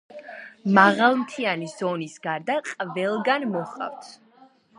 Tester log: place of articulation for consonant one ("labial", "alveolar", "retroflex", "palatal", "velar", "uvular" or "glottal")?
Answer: labial